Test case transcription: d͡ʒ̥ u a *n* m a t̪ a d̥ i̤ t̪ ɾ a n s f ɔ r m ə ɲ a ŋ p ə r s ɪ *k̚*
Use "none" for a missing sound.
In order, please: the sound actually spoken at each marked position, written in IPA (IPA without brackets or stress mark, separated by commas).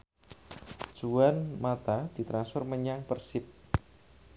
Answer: n, p̚